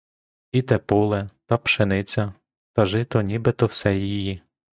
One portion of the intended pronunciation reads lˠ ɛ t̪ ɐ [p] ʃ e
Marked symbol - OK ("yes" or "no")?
yes